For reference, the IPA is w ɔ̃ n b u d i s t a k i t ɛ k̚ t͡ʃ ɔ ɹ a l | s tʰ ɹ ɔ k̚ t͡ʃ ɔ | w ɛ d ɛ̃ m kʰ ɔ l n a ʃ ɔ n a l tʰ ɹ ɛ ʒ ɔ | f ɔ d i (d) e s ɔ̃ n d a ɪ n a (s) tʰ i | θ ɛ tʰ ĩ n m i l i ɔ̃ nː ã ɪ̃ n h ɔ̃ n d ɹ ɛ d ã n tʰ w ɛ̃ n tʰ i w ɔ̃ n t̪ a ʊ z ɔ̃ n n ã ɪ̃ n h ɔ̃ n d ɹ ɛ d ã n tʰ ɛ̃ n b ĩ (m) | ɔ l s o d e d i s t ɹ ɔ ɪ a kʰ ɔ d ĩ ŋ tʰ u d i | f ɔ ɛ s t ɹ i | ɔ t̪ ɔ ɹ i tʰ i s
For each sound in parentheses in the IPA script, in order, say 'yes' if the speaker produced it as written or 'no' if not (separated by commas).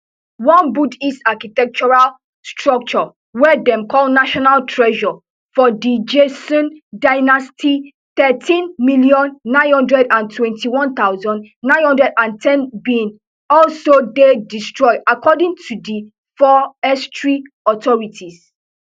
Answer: no, yes, no